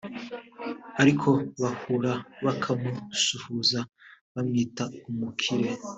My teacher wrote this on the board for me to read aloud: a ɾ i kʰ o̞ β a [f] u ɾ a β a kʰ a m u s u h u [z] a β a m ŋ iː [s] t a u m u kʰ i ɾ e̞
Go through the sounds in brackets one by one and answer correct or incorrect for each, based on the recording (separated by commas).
incorrect, correct, incorrect